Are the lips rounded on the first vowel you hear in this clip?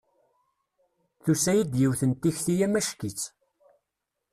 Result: yes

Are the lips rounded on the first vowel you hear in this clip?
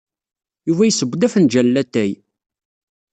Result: yes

